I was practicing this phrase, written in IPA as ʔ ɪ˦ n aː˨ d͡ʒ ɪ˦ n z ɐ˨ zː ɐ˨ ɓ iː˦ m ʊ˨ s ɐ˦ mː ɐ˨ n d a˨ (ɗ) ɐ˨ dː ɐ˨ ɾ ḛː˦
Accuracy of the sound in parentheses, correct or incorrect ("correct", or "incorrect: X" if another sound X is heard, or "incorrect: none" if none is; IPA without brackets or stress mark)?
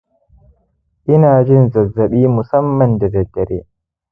incorrect: d